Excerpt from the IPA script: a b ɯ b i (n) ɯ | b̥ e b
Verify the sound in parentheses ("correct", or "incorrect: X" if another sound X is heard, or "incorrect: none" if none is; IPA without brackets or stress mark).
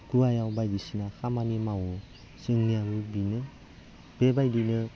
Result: correct